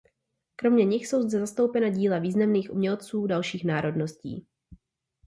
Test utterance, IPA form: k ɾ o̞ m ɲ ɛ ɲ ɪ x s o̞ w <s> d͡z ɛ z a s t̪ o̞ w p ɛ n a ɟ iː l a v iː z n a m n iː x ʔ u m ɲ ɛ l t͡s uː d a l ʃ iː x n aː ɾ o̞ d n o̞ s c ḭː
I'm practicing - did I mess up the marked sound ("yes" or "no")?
yes